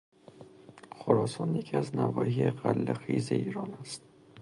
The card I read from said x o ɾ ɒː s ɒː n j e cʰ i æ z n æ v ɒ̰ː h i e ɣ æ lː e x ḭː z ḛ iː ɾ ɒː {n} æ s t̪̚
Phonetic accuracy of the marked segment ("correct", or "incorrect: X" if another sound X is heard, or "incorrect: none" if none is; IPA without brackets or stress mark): correct